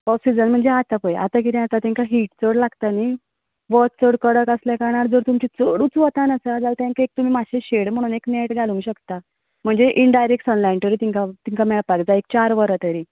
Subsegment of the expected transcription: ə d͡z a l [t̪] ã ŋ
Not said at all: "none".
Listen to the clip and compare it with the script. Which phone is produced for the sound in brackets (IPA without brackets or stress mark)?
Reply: t̪